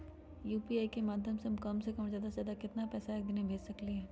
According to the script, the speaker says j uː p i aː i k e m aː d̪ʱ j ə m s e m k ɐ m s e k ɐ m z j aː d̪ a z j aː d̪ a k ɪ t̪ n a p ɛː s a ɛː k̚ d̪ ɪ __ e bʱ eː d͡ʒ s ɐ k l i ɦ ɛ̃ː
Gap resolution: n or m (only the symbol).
n